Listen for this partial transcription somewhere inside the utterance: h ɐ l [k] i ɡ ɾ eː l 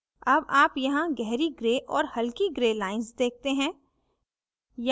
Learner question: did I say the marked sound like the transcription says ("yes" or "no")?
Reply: yes